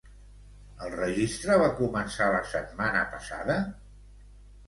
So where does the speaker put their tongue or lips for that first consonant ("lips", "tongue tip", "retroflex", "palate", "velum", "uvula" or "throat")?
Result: tongue tip